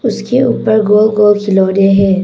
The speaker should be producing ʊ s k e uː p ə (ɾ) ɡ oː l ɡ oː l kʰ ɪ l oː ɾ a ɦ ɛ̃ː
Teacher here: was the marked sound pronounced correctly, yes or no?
yes